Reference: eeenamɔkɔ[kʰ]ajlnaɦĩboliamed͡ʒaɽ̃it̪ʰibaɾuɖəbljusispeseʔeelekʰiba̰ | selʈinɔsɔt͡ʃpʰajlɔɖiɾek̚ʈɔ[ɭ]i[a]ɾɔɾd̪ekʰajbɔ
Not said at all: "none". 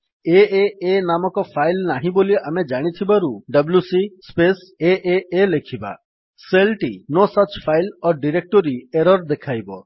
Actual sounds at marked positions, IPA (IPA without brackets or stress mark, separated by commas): pʰ, ɾ, e